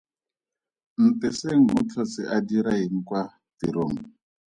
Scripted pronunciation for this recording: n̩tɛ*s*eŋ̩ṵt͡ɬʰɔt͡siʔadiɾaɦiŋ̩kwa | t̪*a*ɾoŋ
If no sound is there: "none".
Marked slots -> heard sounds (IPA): s, i

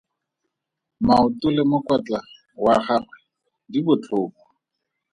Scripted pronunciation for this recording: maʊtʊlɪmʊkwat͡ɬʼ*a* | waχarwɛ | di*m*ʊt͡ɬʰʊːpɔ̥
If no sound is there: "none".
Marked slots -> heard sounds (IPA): a, b

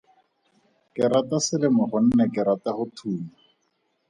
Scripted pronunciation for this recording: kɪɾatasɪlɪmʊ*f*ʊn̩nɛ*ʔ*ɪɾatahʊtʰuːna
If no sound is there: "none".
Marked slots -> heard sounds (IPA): χ, k

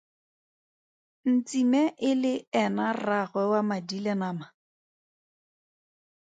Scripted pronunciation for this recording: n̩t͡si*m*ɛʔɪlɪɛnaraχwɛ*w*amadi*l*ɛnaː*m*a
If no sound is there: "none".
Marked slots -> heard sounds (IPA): m, w, l, m

